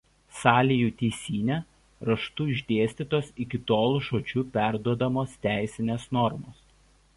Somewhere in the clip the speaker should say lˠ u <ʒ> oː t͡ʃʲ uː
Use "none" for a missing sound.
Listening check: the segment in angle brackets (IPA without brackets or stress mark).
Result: ʃ